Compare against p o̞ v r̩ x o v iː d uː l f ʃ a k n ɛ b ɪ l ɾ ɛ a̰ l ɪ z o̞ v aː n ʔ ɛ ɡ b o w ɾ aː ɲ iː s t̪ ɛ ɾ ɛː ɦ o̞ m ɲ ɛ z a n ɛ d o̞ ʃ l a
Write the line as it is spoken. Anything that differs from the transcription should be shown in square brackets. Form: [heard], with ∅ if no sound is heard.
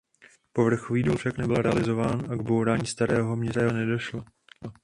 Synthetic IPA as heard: p o̞ v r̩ x o v iː d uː l f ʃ a k n ɛ b ɪ l ɾ ɛ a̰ l ɪ z o̞ v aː n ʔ [a] ɡ b o w ɾ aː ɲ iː s t̪ [a] ɾ ɛː ɦ o̞ m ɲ ɛ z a n ɛ d o̞ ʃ l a